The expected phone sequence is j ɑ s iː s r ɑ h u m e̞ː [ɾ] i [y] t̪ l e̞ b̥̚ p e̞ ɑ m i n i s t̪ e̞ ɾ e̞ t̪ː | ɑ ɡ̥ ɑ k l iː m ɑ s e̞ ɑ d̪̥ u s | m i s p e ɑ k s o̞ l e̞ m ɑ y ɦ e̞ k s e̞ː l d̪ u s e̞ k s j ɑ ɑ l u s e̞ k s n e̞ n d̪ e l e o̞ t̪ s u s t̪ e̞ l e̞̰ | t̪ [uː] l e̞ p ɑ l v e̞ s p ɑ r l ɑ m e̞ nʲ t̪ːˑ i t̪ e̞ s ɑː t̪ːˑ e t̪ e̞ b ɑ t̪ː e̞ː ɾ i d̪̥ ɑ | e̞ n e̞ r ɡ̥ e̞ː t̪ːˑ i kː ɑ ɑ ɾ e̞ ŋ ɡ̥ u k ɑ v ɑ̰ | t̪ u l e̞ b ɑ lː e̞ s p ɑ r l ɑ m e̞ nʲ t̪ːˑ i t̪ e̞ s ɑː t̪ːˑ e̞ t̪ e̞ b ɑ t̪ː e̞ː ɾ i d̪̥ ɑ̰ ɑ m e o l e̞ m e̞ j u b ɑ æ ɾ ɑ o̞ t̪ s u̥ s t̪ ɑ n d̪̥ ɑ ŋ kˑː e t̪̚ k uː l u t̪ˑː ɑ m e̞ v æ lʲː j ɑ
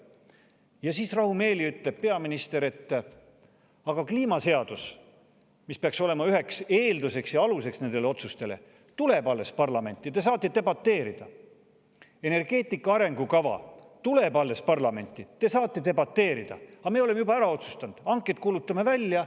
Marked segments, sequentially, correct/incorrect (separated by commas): incorrect, correct, incorrect